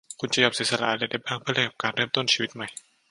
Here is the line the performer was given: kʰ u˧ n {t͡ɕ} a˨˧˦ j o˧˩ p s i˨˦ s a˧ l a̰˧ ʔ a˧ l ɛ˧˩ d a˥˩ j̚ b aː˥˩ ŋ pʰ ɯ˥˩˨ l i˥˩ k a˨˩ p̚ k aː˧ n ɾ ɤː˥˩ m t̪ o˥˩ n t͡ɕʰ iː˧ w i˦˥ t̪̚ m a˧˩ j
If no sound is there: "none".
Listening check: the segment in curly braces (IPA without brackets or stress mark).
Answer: t͡ɕ